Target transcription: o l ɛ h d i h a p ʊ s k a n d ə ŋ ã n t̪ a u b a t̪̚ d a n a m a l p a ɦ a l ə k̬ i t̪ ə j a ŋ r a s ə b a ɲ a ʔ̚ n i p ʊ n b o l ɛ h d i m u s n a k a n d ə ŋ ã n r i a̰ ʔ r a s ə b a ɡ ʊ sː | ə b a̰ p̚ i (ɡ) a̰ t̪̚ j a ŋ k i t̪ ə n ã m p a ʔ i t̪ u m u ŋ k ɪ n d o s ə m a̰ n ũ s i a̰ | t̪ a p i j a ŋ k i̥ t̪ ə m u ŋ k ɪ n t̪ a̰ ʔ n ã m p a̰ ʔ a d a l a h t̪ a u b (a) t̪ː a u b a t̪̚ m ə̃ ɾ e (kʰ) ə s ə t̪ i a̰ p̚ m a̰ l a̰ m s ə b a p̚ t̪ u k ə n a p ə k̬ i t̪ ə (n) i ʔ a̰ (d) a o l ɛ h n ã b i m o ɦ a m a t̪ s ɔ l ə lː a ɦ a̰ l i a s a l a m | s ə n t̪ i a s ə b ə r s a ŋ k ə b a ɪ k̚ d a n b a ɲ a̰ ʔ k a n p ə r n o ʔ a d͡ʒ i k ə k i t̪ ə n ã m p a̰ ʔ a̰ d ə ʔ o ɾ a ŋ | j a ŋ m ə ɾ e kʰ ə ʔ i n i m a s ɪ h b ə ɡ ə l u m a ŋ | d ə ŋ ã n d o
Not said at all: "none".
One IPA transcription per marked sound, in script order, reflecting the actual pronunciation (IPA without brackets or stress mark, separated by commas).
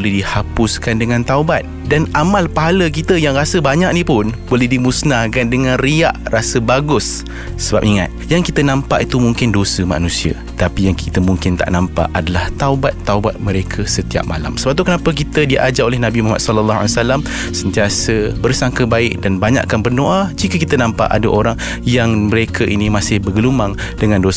ŋ, a, kʰ, d, d͡ʒ